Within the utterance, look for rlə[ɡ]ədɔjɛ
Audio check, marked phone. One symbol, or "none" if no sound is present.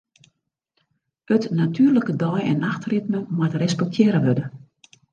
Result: k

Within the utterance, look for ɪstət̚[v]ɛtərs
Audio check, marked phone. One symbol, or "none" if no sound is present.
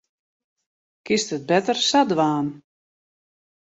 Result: b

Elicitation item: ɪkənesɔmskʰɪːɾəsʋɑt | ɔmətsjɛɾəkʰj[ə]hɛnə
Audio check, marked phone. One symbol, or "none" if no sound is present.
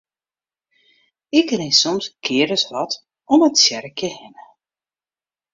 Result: ə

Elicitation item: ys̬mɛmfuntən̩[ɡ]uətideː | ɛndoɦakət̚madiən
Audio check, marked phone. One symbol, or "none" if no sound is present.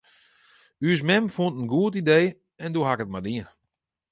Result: ɡ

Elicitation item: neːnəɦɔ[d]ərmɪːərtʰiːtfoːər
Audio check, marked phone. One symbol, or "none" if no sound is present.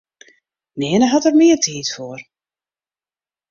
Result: t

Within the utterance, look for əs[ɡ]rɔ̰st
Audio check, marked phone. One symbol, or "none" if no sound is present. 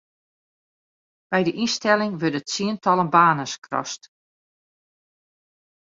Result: k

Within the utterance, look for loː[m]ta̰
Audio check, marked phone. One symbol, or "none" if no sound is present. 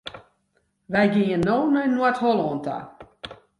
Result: n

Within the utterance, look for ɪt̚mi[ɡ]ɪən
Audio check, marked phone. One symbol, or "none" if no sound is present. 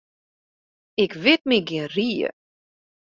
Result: ɡ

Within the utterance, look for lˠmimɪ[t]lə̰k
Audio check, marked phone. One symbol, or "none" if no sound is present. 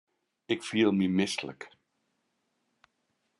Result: s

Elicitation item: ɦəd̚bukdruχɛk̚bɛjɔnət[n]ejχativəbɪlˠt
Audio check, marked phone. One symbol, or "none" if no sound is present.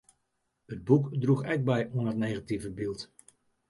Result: n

